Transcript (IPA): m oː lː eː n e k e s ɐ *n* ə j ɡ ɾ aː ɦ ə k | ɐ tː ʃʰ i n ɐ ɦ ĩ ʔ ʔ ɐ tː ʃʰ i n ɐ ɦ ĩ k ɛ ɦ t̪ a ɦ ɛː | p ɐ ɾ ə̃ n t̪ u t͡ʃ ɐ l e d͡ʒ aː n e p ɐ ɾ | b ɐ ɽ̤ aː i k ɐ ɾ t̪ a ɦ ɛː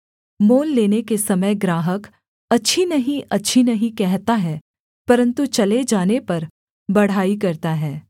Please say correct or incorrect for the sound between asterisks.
incorrect